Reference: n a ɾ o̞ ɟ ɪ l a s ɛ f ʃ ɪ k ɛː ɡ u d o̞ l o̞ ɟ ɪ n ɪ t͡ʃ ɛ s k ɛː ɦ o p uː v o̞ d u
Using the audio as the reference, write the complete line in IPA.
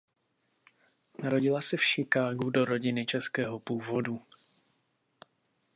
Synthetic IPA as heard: n a ɾ o̞ ɟ ɪ l a s ɛ f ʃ ɪ k aː ɡ u d o̞ ɾ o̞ ɟ ɪ n ɪ t͡ʃ ɛ s k ɛː ɦ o p uː v o̞ d u